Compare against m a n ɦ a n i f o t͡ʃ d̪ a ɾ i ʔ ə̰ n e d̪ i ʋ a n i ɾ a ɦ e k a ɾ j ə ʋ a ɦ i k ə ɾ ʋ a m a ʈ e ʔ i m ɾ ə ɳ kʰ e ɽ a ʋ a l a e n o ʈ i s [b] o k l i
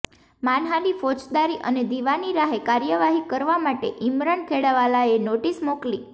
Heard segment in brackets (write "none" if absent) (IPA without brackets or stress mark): m